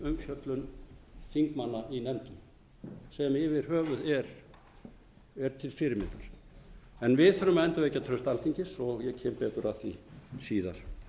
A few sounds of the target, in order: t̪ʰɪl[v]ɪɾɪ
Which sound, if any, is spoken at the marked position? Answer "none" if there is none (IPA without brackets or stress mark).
f